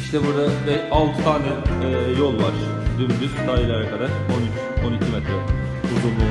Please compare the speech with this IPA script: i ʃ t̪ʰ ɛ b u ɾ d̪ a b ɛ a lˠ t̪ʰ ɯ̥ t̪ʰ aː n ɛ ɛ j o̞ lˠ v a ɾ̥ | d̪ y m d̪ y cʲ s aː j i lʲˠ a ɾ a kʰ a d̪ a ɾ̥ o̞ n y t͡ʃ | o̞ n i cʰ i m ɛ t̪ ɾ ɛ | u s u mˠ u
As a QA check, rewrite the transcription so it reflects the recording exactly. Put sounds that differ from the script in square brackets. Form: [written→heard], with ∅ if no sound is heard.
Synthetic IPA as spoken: i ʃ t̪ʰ ɛ b u ɾ d̪ a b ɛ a lˠ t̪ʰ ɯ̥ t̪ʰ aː n ɛ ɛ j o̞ lˠ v a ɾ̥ | d̪ y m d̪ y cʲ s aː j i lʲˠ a ɾ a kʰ a d̪ a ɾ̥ o̞ n y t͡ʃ | o̞ n i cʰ i m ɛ t̪ ɾ ɛ | u [s→z] u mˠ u